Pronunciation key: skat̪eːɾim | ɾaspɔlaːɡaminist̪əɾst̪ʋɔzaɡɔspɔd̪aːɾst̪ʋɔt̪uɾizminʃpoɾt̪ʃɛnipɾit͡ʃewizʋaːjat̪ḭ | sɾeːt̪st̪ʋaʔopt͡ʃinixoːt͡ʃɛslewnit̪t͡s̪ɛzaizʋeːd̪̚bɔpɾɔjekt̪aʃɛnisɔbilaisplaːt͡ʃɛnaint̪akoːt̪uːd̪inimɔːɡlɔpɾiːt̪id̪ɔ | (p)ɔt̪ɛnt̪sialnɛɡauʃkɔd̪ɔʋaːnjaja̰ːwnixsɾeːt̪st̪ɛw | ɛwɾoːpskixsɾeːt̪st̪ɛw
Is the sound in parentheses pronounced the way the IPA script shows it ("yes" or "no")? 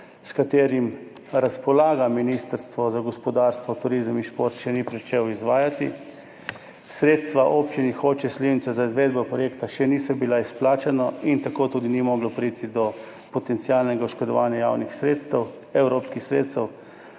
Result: yes